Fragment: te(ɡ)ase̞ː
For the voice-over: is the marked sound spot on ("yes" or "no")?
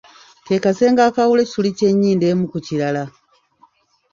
no